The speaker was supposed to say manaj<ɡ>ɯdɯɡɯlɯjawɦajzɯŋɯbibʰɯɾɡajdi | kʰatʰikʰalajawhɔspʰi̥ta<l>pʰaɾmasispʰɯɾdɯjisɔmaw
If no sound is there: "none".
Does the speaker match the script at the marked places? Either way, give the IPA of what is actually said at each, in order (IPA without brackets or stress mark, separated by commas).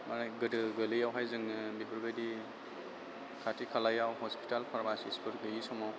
ɡ, l